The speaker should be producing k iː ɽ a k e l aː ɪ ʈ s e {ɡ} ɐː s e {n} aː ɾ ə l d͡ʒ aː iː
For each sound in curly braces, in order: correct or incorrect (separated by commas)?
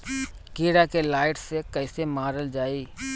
incorrect, incorrect